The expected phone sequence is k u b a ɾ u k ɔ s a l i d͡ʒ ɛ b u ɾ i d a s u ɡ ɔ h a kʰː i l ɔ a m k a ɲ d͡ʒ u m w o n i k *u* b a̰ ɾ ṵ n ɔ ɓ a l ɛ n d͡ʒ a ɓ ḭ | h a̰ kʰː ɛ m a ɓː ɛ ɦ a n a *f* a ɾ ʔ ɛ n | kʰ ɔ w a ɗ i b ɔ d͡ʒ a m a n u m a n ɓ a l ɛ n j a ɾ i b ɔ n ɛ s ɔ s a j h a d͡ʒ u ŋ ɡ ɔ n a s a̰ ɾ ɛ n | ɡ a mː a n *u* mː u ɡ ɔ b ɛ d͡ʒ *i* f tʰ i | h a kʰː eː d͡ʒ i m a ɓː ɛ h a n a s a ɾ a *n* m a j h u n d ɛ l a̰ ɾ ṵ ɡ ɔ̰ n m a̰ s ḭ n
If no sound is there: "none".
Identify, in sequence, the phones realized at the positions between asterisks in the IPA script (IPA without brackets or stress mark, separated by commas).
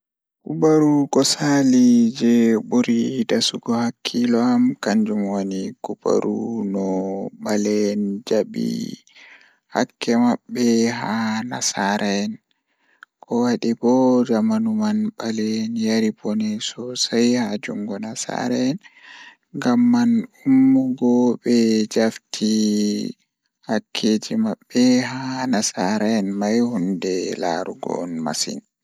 u, s, u, a, n